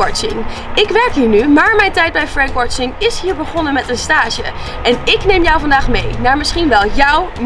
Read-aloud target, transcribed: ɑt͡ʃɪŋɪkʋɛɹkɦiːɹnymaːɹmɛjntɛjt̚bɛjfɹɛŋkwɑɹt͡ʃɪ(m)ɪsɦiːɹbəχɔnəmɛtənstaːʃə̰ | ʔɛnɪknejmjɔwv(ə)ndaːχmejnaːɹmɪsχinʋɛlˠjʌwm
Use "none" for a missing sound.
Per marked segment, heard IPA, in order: ŋ, ɑ

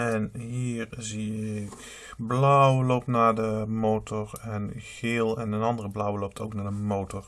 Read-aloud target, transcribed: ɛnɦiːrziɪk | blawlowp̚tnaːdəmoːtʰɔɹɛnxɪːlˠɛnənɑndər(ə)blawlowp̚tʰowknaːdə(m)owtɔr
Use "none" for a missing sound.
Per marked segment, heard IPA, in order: ə, m

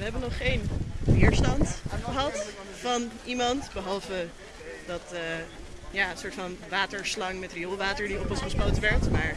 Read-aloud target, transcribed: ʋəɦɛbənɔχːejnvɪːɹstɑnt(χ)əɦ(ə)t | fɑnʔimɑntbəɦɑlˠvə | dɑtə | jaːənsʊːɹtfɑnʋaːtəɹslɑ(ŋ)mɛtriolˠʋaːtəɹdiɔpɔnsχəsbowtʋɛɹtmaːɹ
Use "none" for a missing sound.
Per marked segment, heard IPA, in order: χ, ɑ, ŋ

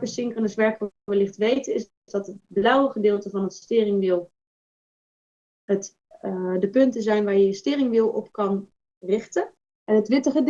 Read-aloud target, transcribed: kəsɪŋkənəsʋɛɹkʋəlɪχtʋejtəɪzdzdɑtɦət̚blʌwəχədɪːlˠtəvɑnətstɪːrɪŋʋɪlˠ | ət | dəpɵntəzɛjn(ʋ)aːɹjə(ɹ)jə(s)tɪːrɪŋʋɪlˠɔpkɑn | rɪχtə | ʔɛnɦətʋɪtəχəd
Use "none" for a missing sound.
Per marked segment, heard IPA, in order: ʋ, none, s

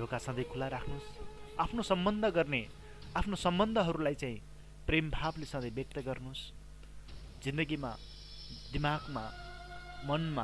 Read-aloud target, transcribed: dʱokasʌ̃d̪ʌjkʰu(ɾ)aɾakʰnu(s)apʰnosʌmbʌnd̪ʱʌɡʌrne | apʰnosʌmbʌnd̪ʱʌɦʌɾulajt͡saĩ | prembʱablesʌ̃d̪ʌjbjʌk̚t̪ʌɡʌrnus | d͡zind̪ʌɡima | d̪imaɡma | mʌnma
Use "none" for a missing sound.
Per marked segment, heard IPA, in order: l, s

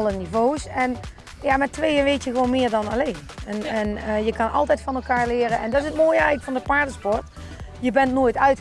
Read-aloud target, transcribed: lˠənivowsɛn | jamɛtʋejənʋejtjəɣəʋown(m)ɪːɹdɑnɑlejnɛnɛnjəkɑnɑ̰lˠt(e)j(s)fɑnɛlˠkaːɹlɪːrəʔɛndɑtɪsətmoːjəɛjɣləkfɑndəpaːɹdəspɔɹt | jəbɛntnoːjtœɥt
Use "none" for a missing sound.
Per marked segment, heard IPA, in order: m, ɛ, t

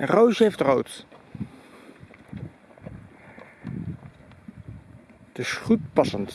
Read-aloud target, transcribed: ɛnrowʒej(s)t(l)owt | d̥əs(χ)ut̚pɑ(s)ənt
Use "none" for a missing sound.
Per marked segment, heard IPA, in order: f, r, χ, s

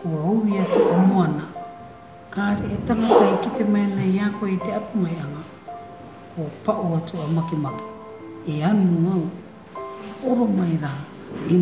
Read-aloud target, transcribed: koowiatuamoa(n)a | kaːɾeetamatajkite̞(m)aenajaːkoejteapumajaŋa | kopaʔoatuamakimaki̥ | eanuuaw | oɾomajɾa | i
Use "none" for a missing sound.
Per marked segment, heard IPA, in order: n, m

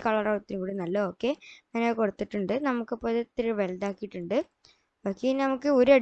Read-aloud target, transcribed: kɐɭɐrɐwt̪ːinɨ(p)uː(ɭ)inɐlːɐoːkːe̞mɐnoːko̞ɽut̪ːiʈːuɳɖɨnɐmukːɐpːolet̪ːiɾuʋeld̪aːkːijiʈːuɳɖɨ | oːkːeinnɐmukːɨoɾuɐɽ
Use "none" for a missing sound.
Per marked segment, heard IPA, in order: k, ɽ

